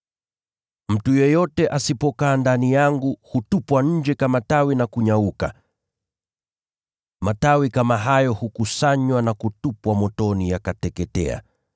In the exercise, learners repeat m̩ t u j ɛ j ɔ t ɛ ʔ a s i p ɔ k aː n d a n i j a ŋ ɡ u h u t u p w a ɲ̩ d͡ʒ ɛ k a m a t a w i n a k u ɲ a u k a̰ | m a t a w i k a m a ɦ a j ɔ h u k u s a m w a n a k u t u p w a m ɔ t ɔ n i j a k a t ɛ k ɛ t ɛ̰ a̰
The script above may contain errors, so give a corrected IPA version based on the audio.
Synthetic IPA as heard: m̩ t u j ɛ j ɔ t ɛ ʔ a s i p ɔ k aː n d a n i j a ŋ ɡ u h u t u p w a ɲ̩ d͡ʒ ɛ k a m a t a w i n a k u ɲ a u k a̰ | m a t a w i k a m a ɦ a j ɔ h u k u s a ɲ w a n a k u t u p w a m ɔ t ɔ n i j a k a t ɛ k ɛ t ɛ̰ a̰